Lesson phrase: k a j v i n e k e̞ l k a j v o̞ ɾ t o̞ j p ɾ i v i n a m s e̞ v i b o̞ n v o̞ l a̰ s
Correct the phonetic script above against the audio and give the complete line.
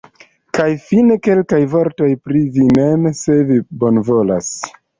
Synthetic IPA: k a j f i n e k e̞ l k a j v o̞ ɾ t o̞ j p ɾ i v i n e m s e̞ v i b o̞ n v o̞ l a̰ s